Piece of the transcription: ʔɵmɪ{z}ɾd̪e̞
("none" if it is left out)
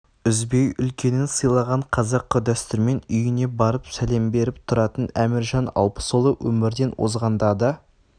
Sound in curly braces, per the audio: none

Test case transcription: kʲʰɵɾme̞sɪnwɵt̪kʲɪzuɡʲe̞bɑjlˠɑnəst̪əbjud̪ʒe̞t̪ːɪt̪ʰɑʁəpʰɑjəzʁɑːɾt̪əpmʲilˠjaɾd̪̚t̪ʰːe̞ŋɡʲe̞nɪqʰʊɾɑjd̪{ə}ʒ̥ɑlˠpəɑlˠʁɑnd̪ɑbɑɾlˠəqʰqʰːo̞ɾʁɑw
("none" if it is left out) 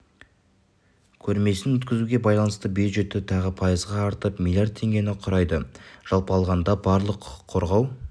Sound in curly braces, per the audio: ə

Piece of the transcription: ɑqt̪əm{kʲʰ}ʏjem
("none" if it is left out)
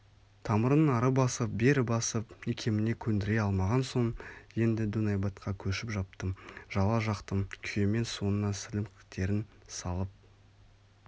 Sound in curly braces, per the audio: kʲʰ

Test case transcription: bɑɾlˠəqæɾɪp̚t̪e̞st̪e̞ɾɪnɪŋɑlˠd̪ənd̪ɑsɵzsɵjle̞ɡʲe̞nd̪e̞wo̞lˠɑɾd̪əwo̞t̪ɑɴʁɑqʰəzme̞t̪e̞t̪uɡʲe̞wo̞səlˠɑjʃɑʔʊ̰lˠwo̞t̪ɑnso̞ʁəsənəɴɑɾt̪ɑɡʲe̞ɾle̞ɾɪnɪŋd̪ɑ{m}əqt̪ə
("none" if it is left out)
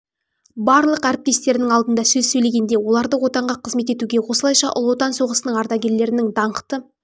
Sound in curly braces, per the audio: ɴ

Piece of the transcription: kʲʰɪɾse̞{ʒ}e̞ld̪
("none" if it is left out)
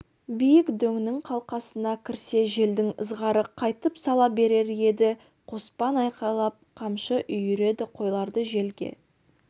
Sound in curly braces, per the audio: ʒ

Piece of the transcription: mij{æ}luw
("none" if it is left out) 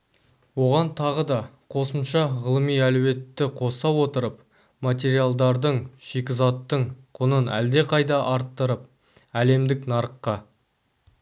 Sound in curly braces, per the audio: æ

